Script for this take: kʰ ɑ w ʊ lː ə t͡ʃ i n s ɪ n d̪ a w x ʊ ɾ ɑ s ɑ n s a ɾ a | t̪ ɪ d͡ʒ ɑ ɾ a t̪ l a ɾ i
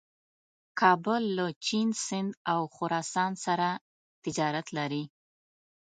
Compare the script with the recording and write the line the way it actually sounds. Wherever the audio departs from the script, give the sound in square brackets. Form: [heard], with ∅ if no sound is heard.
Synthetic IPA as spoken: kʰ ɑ [b] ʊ lː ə t͡ʃ i n s ɪ n d̪ a w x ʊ ɾ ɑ s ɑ n s a ɾ a | t̪ ɪ d͡ʒ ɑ ɾ a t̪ l a ɾ i